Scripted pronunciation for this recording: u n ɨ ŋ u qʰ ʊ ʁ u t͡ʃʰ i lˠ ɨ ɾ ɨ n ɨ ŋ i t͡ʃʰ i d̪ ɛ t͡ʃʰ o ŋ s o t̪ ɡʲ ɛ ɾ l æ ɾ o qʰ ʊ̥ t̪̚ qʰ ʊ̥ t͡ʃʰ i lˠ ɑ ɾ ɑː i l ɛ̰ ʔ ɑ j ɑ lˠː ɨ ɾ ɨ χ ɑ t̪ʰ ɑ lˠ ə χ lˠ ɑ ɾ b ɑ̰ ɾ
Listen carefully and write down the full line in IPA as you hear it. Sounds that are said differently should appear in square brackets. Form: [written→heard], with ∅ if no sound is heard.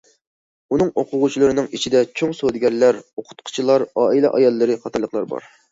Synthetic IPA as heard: u n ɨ ŋ [u→o] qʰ ʊ ʁ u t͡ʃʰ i lˠ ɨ ɾ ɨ n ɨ ŋ i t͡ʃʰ i d̪ ɛ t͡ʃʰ o ŋ s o [t̪→d̪] ɡʲ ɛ ɾ l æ ɾ o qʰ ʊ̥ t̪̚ qʰ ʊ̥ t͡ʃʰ i lˠ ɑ ɾ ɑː i l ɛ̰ ʔ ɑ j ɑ lˠː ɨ ɾ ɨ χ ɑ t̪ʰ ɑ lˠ ə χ lˠ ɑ ɾ b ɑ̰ ɾ